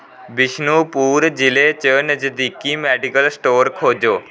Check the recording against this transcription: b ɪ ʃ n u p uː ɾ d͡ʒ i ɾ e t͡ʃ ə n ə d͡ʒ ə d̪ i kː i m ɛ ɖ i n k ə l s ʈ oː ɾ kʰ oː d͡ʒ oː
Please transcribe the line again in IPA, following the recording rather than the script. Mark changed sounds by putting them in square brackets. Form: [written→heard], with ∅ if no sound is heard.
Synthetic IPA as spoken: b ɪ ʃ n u p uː ɾ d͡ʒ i [ɾ→l] e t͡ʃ ə n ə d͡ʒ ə d̪ i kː i m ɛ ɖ i [n→∅] k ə l s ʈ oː ɾ kʰ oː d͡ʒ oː